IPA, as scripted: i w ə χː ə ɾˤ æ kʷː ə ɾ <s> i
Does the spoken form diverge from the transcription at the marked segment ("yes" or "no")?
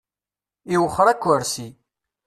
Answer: no